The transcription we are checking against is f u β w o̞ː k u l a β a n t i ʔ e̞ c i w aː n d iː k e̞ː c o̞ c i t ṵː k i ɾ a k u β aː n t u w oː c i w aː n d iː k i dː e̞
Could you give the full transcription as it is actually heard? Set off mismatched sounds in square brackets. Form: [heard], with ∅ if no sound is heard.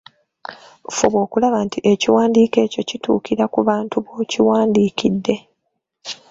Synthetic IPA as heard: f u β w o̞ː k u l a β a n t i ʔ e̞ c i w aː n d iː k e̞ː c o̞ c i t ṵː k i ɾ a k u β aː n t u [β] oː c i w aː n d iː k i dː e̞